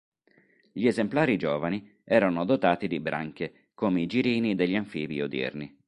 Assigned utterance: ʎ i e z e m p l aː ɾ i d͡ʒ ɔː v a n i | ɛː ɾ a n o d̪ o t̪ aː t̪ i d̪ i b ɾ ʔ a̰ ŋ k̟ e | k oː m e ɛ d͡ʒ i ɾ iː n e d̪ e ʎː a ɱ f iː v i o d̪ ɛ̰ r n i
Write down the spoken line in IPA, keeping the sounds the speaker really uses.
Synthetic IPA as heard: ʎ i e z e m p l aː ɾ i d͡ʒ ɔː v a n i | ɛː ɾ a n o d̪ o t̪ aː t̪ i d̪ i b ɾ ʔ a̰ ŋ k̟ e | k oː m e i d͡ʒ i ɾ iː n i d̪ e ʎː a ɱ f iː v i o d̪ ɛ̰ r n i